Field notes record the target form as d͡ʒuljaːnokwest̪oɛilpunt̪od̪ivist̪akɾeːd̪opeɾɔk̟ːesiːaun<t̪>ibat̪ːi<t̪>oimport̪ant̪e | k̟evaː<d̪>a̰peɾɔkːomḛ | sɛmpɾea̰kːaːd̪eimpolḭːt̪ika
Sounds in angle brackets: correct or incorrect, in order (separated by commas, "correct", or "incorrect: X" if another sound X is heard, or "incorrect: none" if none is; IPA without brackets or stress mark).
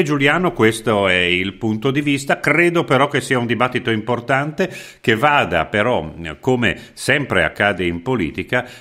incorrect: d̪, correct, correct